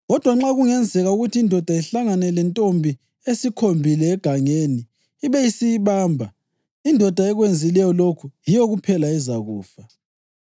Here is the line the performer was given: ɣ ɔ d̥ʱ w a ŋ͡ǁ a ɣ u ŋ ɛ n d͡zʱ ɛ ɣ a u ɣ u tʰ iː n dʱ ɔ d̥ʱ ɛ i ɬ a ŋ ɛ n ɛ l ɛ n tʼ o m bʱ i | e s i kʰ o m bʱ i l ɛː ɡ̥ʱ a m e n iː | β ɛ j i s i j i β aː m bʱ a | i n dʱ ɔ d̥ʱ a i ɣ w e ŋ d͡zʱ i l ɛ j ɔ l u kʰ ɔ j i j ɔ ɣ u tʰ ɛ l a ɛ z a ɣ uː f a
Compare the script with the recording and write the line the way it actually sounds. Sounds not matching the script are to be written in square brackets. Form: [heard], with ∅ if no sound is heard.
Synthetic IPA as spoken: ɣ ɔ d̥ʱ w a ŋ͡ǁ a ɣ u ŋ ɛ n d͡zʱ ɛ ɣ a u ɣ u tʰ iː n dʱ ɔ d̥ʱ [a] i ɬ a ŋ [a] n ɛ l ɛ n tʼ o m bʱ i | e s i kʰ o m bʱ i l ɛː ɡ̥ʱ a [ŋ] e n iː | β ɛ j i s i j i β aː m bʱ a | i n dʱ ɔ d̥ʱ a [ɛ] ɣ w e [n] d͡zʱ i l ɛ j ɔ l [o] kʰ [u] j i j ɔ ɣ u [pʰ] ɛ l a ɛ z a ɣ uː f a

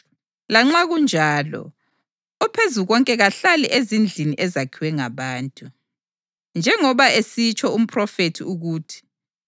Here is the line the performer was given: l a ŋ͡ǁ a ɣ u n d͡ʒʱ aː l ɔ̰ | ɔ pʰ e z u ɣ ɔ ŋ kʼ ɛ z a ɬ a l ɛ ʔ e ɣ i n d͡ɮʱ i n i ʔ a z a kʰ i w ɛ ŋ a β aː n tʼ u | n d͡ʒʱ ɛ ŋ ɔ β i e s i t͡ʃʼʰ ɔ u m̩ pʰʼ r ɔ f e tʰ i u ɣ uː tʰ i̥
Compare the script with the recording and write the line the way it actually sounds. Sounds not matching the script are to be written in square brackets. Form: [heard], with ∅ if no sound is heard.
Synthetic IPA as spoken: l a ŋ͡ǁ a ɣ u n d͡ʒʱ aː l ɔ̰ | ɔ pʰ e z u ɣ ɔ ŋ kʼ ɛ [ɣ] a ɬ a l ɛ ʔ e [z] i n d͡ɮʱ i n i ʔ [ɛ] z a kʰ i w ɛ ŋ a β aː n tʼ u | n d͡ʒʱ ɛ ŋ ɔ β [a] e s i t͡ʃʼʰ ɔ u m̩ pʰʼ r ɔ f e tʰ i u ɣ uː tʰ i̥

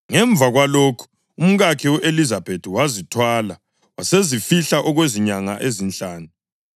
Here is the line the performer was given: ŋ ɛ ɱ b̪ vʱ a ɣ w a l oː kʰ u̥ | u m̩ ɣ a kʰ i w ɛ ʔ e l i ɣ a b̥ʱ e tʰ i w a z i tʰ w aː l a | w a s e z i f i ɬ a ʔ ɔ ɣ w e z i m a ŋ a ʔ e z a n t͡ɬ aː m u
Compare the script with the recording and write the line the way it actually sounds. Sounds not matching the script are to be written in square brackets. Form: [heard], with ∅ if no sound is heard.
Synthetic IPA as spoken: ŋ ɛ ɱ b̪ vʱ a ɣ w a l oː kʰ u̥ | u m̩ ɣ a kʰ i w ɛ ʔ e l i [z] a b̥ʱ e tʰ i w a z i tʰ w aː l a | w a s e z i f i ɬ a ʔ ɔ ɣ w e z i [ɲ] a ŋ a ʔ e z [i] n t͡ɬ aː [n] u

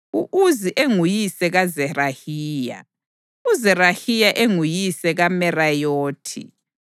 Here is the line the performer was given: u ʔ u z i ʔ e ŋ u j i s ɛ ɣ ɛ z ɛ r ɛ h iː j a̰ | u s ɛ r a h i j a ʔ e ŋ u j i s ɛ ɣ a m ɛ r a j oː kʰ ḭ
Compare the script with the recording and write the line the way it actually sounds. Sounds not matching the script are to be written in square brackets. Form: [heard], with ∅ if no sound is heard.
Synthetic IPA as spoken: u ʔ u z i ʔ e ŋ u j i s ɛ ɣ [a] z ɛ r [a] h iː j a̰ | u [z] ɛ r a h i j a ʔ e ŋ u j i s ɛ ɣ a m ɛ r a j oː [tʰ] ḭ

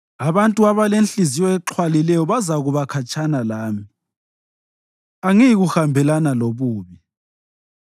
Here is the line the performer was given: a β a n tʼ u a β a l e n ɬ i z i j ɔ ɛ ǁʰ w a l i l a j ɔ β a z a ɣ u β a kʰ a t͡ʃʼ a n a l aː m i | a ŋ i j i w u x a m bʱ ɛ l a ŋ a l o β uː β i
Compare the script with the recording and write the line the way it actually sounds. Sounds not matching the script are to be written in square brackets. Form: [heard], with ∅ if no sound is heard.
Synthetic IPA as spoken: a β a n tʼ u a β a l e n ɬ i z i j ɔ ɛ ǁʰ w a l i l [ɛ] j ɔ β a z a ɣ u β a kʰ a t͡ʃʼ a n a l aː m i | a ŋ i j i [ɣ] u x a m bʱ ɛ l a [n] a l o β uː β i

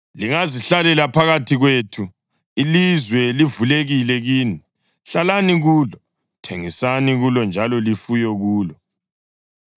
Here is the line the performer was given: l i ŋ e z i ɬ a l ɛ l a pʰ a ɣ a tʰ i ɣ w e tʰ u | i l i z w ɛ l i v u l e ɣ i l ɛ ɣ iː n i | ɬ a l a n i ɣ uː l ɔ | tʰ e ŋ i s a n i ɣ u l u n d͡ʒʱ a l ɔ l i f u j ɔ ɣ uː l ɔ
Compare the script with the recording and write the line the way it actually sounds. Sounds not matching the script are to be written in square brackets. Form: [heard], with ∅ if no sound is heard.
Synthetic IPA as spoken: l i ŋ [a] z i ɬ a l ɛ l a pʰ a ɣ a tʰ i ɣ w e tʰ u | i l i z w ɛ l i v u l e ɣ i l ɛ ɣ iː n i | ɬ a l a n i ɣ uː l ɔ | tʰ e ŋ i s a n i ɣ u l [ɔ] n d͡ʒʱ a l ɔ l i f u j ɔ ɣ uː l ɔ

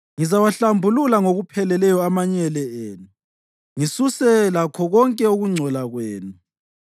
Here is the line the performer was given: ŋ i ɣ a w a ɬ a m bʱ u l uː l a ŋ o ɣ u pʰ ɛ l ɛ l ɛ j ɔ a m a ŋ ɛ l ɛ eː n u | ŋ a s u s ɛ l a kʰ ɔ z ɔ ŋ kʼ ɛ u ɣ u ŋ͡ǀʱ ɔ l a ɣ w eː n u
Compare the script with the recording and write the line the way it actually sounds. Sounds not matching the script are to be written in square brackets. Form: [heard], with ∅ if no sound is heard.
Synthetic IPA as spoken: ŋ i [z] a w a ɬ a m bʱ u l [u] l a ŋ o ɣ u pʰ ɛ l ɛ l ɛ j ɔ a m a [ɲ] ɛ l ɛ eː n u | ŋ [i] s u s ɛ l a kʰ ɔ [ɣ] ɔ ŋ kʼ ɛ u ɣ u ŋ͡ǀʱ ɔ l a ɣ w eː n u

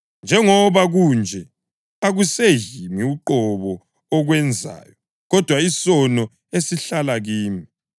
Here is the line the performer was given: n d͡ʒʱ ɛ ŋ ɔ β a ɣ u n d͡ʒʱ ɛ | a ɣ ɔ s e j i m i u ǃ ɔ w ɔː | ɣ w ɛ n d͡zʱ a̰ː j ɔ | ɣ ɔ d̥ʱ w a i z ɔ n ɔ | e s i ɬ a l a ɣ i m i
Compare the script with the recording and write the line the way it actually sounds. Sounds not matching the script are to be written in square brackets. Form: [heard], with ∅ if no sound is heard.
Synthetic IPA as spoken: n d͡ʒʱ ɛ ŋ ɔ β a ɣ u n d͡ʒʱ ɛ | a ɣ [u] s e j i m i u ǃ ɔ [β] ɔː | ɣ w ɛ n d͡zʱ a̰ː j ɔ | ɣ ɔ d̥ʱ w a i [s] ɔ n ɔ | e s i ɬ a l a ɣ [iː] m i

